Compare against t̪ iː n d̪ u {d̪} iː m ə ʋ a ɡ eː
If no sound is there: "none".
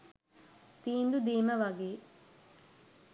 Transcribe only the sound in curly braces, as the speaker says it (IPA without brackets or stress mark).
d̪